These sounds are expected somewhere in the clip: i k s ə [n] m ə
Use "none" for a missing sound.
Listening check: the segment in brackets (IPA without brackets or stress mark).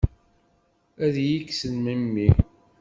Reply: n